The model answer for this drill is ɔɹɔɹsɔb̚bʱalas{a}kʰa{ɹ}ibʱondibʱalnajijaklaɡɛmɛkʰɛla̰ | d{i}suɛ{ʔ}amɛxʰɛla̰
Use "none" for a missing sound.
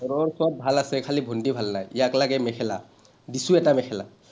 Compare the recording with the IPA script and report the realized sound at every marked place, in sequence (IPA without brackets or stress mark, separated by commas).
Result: ɛ, l, i, t